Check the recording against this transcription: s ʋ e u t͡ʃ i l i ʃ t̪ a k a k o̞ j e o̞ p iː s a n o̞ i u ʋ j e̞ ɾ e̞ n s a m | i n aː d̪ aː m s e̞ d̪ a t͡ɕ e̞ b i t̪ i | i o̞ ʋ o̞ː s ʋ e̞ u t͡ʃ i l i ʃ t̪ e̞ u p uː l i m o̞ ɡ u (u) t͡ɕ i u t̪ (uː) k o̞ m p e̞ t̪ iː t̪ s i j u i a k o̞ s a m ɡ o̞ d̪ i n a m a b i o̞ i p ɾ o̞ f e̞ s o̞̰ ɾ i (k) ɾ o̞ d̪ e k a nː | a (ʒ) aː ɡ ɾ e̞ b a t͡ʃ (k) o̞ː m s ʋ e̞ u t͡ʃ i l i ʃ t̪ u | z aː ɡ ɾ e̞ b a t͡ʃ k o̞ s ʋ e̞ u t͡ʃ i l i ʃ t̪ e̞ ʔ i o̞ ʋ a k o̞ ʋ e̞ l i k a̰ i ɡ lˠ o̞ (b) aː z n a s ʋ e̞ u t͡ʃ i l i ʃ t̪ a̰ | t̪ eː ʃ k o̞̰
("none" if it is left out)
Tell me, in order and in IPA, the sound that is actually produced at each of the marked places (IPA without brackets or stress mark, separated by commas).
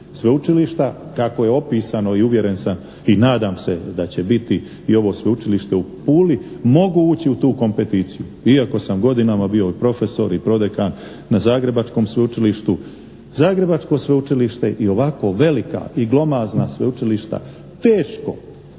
uː, uː, p, z, k, m